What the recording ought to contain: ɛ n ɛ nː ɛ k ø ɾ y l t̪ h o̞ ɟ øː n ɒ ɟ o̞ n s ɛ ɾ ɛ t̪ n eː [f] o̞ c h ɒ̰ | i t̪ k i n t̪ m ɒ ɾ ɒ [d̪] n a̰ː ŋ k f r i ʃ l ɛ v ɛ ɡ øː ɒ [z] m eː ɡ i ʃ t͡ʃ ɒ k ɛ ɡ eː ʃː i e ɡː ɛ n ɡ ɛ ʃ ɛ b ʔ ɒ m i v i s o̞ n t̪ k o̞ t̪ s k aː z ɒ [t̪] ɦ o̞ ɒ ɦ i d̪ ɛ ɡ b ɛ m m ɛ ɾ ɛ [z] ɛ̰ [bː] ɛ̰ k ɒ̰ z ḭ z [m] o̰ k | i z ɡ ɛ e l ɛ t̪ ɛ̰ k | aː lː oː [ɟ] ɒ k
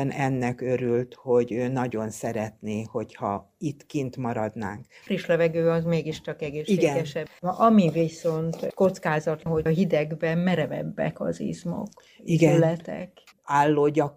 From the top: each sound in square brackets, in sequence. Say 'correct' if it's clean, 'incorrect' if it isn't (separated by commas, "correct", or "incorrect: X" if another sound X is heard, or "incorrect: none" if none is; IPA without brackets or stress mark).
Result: incorrect: h, correct, correct, correct, incorrect: v, correct, correct, correct